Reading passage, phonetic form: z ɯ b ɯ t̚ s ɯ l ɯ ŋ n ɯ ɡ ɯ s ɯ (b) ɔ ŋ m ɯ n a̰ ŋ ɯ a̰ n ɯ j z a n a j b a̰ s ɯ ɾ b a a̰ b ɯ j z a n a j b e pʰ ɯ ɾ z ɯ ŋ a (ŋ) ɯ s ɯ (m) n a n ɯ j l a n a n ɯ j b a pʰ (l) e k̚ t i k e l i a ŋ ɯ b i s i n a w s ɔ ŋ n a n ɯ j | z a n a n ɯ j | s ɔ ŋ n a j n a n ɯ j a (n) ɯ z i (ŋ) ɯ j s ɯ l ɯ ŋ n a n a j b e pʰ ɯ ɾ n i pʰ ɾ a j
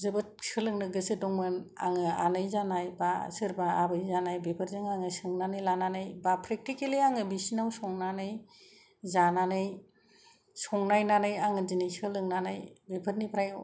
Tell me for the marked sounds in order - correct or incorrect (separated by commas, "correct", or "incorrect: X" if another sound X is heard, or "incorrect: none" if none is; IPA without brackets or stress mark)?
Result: incorrect: d, correct, incorrect: ŋ, incorrect: ɾ, incorrect: ŋ, incorrect: n